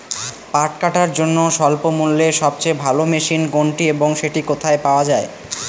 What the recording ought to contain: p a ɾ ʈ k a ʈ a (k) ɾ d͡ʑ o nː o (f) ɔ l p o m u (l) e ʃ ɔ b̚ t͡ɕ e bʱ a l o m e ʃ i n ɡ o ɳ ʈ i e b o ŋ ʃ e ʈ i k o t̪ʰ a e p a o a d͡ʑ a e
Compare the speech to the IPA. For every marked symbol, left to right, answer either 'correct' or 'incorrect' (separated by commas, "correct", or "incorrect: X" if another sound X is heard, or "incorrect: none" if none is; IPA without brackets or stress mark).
incorrect: none, incorrect: ʃ, incorrect: lː